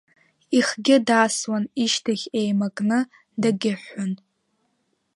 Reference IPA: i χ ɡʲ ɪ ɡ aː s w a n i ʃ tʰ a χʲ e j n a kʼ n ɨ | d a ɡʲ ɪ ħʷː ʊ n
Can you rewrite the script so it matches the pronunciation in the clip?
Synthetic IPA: i χ ɡʲ ɪ d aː s w a n i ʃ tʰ a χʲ e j m a kʼ n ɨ | d a ɡʲ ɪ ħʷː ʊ n